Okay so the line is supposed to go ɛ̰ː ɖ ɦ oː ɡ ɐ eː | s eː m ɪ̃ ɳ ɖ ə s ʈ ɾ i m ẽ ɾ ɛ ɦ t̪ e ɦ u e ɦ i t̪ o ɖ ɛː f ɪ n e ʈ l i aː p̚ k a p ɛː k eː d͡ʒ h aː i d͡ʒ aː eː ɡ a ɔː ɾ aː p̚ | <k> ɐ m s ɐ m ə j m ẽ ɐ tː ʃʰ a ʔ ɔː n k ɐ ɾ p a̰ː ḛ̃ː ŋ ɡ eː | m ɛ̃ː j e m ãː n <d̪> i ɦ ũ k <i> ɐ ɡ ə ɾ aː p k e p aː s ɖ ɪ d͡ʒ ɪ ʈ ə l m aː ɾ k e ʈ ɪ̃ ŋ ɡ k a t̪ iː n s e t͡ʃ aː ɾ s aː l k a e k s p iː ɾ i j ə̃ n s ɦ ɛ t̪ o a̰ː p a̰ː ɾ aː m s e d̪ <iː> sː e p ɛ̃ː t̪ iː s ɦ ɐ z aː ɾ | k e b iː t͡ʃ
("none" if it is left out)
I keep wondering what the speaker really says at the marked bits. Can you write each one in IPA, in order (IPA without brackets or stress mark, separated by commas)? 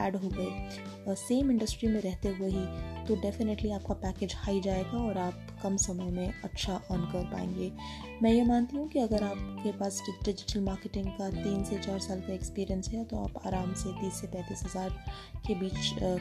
k, t̪, i, iː